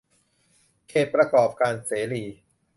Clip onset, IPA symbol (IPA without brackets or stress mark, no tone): kʰ